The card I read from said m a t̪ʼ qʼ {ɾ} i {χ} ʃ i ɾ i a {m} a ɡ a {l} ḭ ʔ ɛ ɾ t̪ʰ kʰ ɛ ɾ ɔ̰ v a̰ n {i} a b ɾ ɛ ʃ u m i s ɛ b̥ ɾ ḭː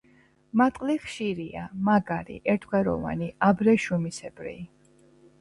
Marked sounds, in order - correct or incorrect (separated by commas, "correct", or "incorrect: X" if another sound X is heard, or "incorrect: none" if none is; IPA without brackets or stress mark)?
incorrect: l, correct, correct, incorrect: ɾ, correct